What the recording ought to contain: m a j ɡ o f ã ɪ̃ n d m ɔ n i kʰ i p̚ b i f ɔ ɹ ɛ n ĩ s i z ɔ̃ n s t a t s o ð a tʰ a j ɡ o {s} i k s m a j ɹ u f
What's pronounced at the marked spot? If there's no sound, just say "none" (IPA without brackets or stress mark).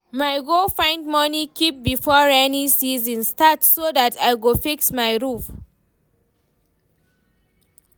f